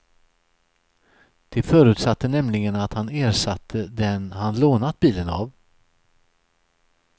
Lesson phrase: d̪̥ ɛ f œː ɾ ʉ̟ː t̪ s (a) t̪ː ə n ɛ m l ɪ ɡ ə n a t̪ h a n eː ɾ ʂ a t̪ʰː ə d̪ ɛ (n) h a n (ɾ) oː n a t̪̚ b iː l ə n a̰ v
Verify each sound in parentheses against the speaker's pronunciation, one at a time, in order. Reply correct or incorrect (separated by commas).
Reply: correct, correct, incorrect